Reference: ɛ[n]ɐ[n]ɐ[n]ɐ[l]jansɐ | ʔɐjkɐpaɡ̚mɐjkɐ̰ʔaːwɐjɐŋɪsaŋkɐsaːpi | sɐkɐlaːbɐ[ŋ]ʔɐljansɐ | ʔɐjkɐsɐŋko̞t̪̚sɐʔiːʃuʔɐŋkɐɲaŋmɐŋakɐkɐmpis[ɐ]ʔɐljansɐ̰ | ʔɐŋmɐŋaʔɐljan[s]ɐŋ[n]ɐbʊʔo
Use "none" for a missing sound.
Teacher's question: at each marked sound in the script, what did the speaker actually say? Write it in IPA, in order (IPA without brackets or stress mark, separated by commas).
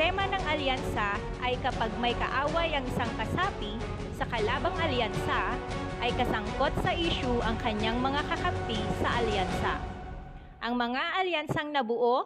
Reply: m, n, ŋ, l, ŋ, ɐ, s, n